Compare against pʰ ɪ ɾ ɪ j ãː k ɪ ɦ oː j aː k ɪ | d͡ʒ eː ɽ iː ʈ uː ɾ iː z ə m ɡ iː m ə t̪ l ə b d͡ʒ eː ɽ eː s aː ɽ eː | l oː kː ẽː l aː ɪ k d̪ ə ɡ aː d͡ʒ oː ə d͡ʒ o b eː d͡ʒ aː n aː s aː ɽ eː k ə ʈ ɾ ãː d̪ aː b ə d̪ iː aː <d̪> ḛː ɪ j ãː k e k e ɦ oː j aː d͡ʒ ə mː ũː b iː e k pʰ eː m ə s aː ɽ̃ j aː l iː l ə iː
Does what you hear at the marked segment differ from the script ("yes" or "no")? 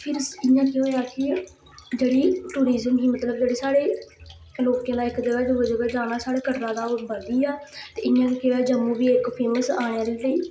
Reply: yes